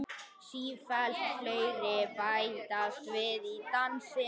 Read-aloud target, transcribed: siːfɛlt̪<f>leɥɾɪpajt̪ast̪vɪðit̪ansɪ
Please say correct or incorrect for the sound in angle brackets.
correct